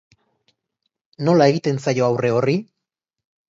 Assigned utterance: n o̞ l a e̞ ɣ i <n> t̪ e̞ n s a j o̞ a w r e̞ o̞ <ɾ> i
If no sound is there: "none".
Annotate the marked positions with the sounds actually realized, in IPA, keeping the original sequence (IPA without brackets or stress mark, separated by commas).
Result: none, r